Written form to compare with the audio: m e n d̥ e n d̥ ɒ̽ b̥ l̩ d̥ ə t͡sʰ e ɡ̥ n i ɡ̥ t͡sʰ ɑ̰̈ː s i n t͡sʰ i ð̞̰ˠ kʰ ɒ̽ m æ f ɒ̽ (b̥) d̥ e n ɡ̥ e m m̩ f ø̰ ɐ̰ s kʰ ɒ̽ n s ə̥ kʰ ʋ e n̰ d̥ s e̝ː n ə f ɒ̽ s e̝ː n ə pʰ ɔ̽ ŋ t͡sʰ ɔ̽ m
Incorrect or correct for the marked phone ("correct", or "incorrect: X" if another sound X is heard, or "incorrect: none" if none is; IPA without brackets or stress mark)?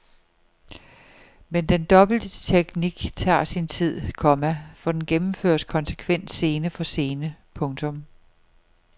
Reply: incorrect: none